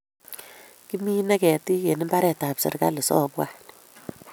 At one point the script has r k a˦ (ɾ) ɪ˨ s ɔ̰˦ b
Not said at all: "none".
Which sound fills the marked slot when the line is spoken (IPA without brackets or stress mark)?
l